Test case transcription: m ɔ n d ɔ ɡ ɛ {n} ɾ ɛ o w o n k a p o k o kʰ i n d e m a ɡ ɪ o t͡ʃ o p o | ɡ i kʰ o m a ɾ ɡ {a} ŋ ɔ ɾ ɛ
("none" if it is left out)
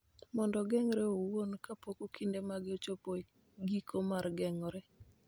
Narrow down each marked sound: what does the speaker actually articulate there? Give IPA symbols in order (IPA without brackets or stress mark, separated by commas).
ŋ, ɛ